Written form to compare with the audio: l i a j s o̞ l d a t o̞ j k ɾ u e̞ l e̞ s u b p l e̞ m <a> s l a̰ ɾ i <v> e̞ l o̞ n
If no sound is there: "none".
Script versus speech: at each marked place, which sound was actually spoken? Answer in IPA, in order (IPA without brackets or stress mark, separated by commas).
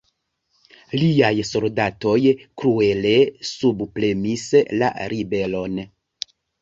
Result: i, b